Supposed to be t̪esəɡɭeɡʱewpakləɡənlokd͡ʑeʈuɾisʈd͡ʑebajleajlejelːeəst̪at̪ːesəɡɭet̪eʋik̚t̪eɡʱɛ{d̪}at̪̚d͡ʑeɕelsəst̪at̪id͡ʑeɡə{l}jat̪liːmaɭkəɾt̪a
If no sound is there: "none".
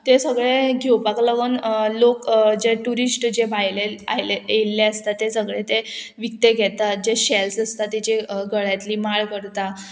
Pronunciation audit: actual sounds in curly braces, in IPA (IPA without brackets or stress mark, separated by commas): t̪, ɭ